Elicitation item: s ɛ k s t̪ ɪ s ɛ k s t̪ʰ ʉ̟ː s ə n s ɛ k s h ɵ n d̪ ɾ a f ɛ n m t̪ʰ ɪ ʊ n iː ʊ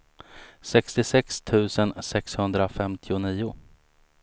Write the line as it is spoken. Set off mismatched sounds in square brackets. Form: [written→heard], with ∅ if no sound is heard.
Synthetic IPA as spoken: s ɛ k s t̪ ɪ s ɛ k s t̪ʰ ʉ̟ː s ə n s ɛ k s h ɵ n d̪ ɾ a f ɛ [n→∅] m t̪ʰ ɪ ʊ n iː ʊ